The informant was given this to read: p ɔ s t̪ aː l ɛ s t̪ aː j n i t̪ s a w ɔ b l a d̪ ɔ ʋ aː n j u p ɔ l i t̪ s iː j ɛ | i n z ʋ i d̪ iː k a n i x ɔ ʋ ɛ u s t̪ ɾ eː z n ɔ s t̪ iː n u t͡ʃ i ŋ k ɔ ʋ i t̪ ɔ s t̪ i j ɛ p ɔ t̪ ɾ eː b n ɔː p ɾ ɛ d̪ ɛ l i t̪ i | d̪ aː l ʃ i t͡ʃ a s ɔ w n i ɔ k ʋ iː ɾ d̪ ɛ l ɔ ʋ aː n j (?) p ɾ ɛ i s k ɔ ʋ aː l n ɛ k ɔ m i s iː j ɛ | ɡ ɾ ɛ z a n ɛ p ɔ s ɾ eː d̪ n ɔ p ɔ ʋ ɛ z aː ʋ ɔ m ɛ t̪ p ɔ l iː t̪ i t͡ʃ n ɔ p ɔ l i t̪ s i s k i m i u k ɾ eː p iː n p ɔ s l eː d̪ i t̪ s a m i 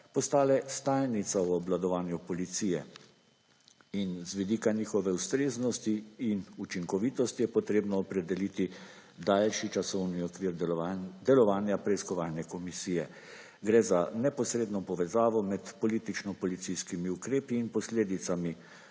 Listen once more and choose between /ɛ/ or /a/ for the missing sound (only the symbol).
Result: a